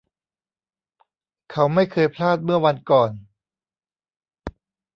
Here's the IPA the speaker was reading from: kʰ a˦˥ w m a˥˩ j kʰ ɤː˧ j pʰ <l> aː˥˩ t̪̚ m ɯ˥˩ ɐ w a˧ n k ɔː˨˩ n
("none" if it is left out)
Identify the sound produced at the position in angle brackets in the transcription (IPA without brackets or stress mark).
l